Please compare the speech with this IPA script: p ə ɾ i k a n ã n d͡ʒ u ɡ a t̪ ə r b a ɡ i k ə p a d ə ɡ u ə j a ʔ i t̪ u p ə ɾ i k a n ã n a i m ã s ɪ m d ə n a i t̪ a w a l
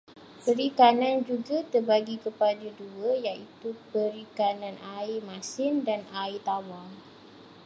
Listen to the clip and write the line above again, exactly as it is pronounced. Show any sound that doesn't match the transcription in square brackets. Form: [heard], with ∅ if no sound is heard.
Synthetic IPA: p ə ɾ i k a n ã n d͡ʒ u ɡ a t̪ ə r b a ɡ i k ə p a d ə [d] u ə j a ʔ i t̪ u p ə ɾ i k a n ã n a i m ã s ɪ [n] d [a] n a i t̪ a w a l